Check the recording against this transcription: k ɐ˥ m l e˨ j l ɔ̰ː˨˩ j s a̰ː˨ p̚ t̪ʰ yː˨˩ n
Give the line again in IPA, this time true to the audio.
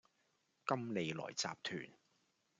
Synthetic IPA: k ɐ˥ m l e˨ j l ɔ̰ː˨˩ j t͡s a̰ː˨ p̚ t̪ʰ yː˨˩ n